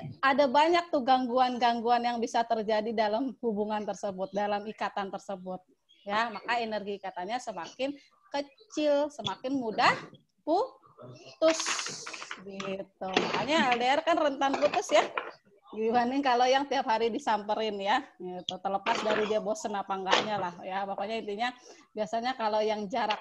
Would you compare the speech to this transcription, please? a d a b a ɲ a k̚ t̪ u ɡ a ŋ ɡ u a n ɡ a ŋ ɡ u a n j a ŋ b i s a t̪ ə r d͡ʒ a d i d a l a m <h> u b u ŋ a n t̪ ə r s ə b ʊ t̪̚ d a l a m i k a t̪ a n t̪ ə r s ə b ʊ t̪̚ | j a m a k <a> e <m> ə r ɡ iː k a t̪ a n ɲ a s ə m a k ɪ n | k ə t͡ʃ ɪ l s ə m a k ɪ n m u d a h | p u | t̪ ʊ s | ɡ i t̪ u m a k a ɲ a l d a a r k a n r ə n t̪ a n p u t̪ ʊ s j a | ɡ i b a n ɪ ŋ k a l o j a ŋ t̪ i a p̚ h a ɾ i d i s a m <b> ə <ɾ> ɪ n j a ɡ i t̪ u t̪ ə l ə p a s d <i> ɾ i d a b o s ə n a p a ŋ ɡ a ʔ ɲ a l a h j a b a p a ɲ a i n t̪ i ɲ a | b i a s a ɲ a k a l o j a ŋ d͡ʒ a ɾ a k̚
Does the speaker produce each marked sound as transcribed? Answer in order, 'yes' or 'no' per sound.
yes, yes, no, no, yes, no

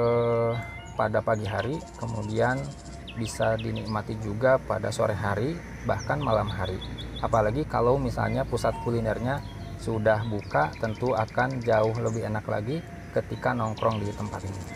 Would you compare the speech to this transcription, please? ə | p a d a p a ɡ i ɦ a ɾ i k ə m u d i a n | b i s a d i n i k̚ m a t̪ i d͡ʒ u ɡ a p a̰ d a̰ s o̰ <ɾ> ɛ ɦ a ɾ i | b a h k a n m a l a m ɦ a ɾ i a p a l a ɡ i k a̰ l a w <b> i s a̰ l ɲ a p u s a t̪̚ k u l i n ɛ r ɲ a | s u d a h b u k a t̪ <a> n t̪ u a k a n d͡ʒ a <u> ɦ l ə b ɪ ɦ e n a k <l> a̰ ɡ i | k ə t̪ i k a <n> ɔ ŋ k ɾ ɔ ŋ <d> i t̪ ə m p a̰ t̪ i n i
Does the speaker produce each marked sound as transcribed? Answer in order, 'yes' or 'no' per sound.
yes, no, no, no, yes, yes, yes

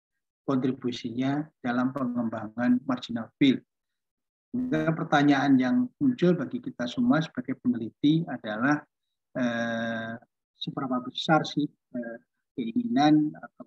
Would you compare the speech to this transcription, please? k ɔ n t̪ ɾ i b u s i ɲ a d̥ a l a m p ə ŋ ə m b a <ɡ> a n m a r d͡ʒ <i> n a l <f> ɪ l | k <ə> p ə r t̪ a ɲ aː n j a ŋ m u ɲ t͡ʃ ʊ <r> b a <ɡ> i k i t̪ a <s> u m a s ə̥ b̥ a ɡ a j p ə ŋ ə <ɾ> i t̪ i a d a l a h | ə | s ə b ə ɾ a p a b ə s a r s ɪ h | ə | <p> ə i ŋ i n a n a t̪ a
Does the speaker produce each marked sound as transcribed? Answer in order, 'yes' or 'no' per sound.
no, yes, yes, no, no, yes, yes, no, no

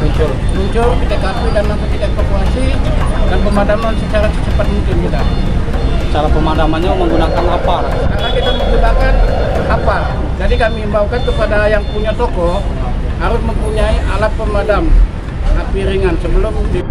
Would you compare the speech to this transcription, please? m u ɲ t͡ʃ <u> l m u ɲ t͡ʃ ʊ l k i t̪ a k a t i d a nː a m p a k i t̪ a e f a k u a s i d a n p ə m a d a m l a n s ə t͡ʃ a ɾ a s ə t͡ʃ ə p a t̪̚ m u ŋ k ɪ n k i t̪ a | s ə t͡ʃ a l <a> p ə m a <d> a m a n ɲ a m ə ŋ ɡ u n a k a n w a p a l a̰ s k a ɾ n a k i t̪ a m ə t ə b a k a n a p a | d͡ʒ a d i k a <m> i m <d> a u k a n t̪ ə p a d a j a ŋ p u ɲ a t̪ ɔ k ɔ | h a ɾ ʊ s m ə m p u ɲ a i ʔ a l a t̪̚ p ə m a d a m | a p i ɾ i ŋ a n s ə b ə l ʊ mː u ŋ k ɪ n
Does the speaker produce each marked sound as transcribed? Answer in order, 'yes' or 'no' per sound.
no, yes, yes, yes, no

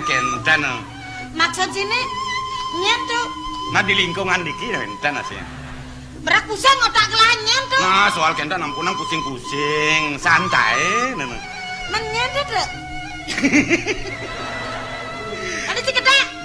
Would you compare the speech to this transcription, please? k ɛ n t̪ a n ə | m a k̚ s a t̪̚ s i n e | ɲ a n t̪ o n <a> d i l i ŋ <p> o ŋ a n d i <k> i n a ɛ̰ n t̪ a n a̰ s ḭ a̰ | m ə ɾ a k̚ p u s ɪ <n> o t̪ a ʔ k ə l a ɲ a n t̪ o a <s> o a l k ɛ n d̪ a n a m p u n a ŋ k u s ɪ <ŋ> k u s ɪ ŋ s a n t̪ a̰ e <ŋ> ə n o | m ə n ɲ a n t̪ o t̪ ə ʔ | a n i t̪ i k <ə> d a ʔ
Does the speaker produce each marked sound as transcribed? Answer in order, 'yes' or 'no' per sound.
yes, no, yes, no, yes, yes, no, yes

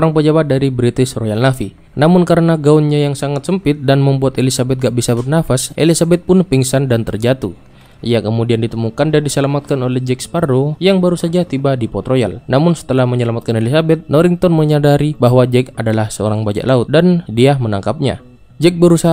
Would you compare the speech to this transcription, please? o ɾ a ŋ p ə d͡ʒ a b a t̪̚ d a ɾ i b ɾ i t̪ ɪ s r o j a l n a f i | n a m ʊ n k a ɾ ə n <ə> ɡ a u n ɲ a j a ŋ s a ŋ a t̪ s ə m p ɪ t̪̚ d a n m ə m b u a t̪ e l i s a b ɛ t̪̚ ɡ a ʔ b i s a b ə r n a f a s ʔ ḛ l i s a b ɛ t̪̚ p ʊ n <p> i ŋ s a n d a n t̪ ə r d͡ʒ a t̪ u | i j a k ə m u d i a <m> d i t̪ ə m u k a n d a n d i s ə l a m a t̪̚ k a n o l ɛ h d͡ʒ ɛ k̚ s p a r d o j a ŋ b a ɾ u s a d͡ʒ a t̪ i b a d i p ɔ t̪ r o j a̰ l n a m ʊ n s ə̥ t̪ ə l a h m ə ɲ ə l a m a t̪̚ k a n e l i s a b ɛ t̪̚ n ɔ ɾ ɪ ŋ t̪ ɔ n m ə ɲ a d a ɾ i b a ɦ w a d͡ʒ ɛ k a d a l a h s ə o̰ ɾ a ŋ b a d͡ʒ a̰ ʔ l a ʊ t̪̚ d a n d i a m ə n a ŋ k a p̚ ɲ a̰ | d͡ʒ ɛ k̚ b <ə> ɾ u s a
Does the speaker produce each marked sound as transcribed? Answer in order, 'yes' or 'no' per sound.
no, yes, no, yes

